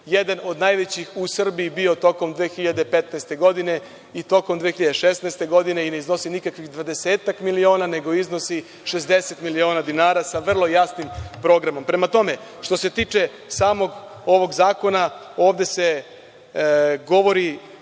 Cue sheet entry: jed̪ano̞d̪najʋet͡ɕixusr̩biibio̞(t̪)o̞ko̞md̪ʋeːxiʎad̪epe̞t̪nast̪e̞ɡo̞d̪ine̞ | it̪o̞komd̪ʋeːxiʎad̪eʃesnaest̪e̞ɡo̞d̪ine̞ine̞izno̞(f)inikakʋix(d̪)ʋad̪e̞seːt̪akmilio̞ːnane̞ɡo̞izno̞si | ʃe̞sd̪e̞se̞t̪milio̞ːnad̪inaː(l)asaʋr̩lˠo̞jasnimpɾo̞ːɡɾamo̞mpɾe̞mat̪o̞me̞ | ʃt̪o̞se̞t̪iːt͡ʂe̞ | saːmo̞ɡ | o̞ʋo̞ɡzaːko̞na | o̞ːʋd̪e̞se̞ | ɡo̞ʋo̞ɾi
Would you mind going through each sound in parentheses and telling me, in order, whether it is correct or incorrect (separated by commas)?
correct, incorrect, correct, incorrect